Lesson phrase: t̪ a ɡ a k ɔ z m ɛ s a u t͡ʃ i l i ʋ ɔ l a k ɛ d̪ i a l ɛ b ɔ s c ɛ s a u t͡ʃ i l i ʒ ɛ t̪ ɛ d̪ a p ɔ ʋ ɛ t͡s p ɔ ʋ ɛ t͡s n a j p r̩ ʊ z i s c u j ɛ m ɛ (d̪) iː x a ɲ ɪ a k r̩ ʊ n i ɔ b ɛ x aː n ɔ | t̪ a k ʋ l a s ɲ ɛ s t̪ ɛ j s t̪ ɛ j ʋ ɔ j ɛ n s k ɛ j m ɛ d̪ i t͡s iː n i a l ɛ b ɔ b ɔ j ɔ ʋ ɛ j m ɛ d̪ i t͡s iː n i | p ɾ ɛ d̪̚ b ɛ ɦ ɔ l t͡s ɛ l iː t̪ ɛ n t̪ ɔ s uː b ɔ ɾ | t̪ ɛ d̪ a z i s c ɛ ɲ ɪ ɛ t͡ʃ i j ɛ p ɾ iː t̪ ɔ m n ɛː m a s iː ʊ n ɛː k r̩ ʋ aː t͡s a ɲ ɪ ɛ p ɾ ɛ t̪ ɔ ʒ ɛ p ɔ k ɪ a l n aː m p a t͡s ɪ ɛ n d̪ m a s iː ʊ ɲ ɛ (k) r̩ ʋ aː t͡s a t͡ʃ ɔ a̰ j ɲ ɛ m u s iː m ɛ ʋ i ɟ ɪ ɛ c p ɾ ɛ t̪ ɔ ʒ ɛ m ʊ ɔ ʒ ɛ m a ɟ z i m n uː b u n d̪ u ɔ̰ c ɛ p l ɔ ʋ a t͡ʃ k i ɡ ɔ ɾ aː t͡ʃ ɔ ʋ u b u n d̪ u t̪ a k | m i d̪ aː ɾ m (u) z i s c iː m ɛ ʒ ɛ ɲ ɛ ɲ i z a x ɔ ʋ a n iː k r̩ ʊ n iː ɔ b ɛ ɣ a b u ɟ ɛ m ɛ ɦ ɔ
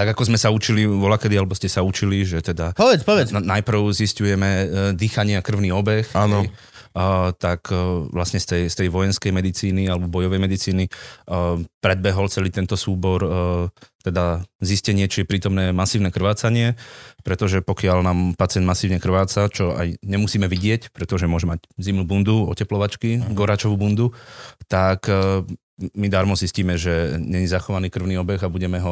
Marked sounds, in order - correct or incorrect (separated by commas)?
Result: correct, correct, incorrect